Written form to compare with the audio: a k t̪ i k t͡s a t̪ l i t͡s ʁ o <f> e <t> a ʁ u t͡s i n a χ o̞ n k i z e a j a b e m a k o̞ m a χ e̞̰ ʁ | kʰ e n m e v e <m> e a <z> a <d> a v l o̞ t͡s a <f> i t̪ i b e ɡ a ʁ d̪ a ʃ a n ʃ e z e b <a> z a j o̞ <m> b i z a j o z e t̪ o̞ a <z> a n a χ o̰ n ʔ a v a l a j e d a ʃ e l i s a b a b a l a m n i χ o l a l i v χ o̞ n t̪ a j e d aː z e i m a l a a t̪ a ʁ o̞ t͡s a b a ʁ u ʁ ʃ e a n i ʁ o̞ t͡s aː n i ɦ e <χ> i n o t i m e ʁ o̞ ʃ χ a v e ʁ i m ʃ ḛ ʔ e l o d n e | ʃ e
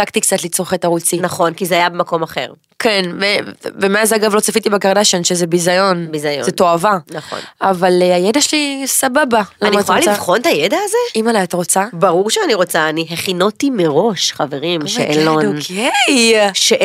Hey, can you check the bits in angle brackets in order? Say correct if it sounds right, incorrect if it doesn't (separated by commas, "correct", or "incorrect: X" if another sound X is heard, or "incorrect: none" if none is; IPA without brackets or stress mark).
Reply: incorrect: χ, correct, correct, correct, incorrect: ɡ, correct, incorrect: i, incorrect: n, incorrect: v, correct